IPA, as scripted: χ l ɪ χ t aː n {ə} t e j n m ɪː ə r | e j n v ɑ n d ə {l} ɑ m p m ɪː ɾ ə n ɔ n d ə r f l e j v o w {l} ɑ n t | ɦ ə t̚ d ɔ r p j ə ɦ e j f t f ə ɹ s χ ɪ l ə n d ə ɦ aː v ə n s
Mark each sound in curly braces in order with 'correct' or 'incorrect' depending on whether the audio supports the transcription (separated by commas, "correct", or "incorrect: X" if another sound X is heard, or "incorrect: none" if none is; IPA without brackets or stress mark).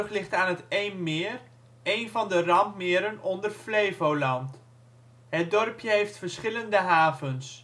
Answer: correct, incorrect: r, correct